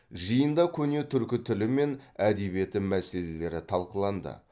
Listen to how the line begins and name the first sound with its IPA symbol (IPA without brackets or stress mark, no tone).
ʒ